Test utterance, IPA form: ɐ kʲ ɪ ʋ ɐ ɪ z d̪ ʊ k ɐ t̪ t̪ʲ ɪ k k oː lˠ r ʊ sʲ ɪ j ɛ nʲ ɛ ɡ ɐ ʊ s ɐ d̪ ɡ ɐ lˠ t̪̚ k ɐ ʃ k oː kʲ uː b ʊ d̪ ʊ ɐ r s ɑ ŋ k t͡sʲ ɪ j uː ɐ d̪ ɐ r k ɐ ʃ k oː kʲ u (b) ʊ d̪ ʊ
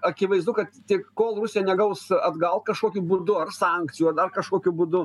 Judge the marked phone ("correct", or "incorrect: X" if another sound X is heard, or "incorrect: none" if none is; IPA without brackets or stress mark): correct